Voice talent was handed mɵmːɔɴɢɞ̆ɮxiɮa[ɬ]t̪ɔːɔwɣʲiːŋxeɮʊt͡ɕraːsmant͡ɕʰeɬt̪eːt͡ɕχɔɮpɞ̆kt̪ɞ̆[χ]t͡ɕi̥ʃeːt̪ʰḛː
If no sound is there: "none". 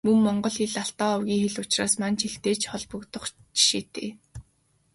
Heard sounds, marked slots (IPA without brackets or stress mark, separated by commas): ɬ, χ